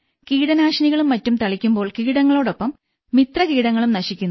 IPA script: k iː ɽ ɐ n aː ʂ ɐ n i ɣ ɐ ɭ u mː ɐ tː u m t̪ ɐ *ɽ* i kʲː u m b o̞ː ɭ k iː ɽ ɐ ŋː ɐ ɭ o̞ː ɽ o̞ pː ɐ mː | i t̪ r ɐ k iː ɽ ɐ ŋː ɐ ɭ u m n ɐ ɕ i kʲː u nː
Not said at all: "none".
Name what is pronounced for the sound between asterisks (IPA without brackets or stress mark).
ɭ